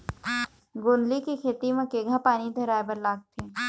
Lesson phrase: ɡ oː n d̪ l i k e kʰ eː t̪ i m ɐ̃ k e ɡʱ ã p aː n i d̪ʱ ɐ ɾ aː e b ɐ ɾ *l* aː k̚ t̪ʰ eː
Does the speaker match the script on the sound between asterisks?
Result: yes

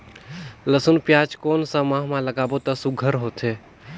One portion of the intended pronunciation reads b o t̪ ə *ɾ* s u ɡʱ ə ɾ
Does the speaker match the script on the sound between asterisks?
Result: no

